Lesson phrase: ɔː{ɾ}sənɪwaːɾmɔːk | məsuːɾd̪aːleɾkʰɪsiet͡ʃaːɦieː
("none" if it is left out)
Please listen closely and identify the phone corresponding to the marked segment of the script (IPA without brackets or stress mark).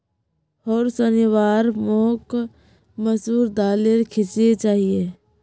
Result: ɾ